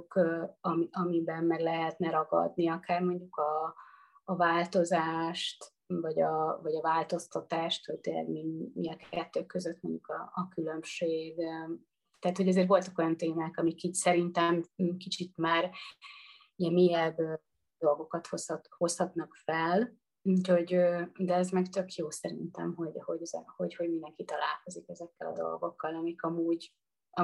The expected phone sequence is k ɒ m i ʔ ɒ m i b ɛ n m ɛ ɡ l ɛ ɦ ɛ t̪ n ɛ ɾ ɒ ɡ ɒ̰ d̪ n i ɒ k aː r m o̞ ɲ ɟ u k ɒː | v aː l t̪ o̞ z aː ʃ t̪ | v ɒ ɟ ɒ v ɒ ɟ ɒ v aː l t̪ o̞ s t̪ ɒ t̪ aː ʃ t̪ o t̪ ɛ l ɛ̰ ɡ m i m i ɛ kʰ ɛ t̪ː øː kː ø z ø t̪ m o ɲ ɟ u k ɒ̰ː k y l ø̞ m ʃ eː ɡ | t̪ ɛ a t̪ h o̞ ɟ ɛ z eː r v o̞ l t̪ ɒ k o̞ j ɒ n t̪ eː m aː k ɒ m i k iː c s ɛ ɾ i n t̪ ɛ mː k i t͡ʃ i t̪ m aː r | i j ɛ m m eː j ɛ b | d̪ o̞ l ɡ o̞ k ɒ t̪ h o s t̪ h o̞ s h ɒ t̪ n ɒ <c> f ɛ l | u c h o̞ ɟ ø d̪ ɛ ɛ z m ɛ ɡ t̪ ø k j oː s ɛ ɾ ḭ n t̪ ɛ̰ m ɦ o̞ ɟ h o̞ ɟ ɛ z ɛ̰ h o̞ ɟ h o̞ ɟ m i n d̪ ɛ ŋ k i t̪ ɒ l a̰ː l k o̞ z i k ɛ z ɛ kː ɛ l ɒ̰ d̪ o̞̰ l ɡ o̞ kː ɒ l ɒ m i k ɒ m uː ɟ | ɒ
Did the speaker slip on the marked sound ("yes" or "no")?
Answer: yes